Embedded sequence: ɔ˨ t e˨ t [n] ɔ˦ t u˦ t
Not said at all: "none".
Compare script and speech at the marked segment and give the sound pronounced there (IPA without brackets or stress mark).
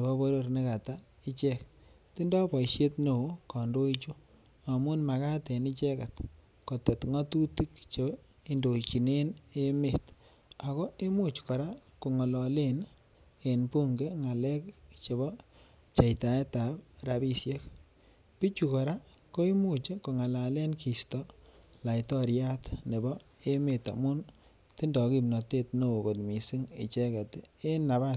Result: ŋ